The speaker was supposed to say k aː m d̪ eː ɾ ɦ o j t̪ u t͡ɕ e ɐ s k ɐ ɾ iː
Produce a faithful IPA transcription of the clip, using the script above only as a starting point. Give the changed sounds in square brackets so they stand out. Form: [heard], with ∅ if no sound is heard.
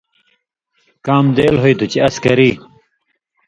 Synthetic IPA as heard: k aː m d̪ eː [l] ɦ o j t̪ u t͡ɕ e ɐ s k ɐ ɾ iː

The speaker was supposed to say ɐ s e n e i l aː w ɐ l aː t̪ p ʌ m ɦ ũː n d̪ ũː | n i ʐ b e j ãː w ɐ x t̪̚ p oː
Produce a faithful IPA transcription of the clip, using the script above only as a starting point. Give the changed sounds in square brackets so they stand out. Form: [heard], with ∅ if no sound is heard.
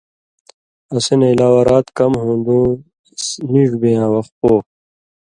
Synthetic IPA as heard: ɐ s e n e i l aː w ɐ [ɾ] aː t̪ [k] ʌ m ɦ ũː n d̪ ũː | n i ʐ b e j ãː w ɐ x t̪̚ p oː

